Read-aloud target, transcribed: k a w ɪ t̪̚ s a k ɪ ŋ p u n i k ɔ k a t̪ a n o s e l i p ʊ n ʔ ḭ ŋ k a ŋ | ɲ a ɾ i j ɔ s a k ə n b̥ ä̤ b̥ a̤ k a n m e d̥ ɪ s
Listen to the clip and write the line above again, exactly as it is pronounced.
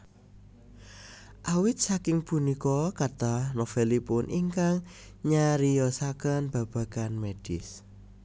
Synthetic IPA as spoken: ʔ a w ɪ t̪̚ s a k ɪ ŋ p u n i k ɔ k a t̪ a n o f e l i p ʊ n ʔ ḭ ŋ k a ŋ | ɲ a ɾ i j ɔ s a k ə n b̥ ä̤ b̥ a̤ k a n m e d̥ ɪ s